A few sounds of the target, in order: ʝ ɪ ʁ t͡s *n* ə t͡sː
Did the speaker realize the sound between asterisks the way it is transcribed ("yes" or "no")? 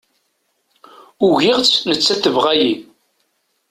yes